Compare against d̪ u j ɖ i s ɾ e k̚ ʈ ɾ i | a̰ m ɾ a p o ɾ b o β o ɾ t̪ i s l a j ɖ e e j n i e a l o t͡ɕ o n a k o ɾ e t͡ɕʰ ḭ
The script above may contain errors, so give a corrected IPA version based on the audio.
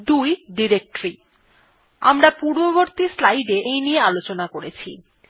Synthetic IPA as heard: d̪ u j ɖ i ɾ e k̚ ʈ ɾ i | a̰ m ɾ a p u ɾ b o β o ɾ t̪ i s l a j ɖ e e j n i e a l o t͡ɕ o n a k o ɾ e t͡ɕʰ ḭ